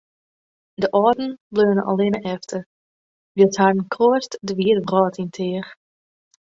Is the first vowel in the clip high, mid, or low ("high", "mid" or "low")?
mid